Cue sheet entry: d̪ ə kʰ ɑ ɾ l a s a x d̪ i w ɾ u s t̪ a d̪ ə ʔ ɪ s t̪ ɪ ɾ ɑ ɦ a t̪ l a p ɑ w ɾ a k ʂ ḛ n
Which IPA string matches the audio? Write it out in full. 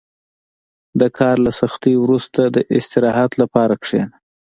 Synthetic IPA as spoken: d̪ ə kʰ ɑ ɾ l a s a x t̪ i w ɾ u s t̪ a d̪ ə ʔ ɪ s t̪ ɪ ɾ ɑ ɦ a t̪ l a p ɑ ɾ a k ʂ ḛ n